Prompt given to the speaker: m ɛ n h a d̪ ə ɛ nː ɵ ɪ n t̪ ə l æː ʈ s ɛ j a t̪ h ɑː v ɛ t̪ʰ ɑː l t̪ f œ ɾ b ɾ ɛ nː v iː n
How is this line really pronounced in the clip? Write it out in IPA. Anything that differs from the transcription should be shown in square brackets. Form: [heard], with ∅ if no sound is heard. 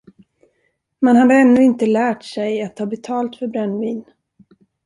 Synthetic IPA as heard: m ɛ n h a d̪ ə ɛ nː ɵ ɪ n t̪ ə l æː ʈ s ɛ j a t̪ h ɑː [b] ɛ t̪ʰ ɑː l t̪ f œ ɾ b ɾ ɛ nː v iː n

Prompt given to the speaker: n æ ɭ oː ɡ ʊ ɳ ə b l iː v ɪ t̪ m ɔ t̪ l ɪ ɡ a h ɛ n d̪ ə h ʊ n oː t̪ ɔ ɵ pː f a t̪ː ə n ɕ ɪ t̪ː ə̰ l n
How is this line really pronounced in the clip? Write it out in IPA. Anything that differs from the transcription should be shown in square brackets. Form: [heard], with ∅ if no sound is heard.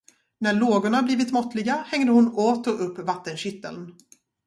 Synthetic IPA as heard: n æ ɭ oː ɡ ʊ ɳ [a] b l iː v ɪ t̪ m ɔ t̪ l ɪ ɡ a h ɛ [ŋ] d̪ ə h ʊ n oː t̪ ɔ ɵ pː [v] a t̪ː ə n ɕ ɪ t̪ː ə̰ l n

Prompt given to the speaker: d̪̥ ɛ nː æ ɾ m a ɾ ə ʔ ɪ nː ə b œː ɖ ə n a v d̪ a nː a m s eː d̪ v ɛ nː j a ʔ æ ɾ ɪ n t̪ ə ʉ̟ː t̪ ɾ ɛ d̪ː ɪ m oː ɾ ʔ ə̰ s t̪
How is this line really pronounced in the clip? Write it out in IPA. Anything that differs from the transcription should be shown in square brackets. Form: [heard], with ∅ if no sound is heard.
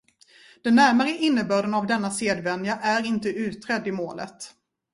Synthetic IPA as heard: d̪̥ ɛ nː æ ɾ m a ɾ ə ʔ ɪ nː ə b œː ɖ ə n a v d̪ [ɛ] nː a [∅] s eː d̪ v ɛ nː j a ʔ æ ɾ ɪ n t̪ ə ʉ̟ː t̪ ɾ ɛ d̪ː ɪ m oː [l] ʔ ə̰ [∅] t̪

